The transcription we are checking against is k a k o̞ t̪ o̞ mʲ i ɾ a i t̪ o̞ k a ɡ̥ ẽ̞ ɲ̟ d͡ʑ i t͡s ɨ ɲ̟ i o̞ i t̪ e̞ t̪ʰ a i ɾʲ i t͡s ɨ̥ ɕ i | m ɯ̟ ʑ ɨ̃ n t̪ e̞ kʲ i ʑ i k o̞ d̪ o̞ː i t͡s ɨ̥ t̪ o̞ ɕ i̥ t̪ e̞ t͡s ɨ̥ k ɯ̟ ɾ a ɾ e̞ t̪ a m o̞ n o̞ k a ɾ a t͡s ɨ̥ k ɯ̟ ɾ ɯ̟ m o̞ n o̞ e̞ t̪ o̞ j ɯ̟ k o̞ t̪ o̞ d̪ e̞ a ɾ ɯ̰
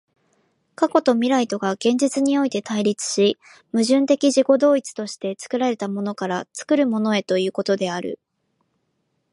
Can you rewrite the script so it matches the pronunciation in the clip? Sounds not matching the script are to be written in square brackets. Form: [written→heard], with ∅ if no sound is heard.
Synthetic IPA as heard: k a k o̞ t̪ o̞ mʲ i ɾ a i t̪ o̞ [k→ɡ] a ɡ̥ ẽ̞ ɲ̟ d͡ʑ i t͡s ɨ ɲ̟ i o̞ i t̪ e̞ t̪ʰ a i ɾʲ i t͡s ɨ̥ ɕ i | m ɯ̟ ʑ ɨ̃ n t̪ e̞ kʲ i ʑ i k o̞ d̪ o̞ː i t͡s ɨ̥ t̪ o̞ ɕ i̥ t̪ e̞ t͡s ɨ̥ k ɯ̟ ɾ a ɾ e̞ t̪ a m o̞ n o̞ k a ɾ a t͡s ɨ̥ k ɯ̟ ɾ ɯ̟ m o̞ n o̞ e̞ t̪ o̞ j [ɯ̟→ɯ̟ː] k o̞ t̪ o̞ d̪ e̞ a ɾ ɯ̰